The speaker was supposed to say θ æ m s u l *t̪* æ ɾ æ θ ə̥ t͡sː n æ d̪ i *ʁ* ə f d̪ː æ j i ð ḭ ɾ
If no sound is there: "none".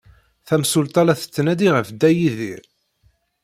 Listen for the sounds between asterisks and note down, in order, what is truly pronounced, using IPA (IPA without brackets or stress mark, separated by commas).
t̪, ʁ